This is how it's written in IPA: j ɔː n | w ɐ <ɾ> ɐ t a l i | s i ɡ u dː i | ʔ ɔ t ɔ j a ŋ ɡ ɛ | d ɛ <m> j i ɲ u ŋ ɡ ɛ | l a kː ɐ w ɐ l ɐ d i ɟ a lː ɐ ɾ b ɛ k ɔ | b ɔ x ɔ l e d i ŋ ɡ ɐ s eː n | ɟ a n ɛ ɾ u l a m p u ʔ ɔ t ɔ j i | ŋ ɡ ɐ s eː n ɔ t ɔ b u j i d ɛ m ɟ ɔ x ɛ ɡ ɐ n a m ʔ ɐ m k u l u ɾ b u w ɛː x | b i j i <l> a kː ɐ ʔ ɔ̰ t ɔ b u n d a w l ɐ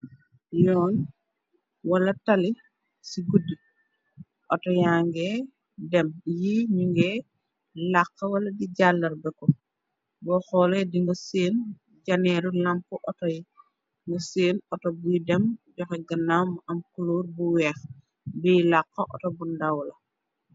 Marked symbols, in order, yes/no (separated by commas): no, yes, yes